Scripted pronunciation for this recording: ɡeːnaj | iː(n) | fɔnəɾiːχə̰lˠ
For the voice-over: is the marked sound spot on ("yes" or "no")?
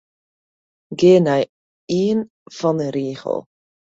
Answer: yes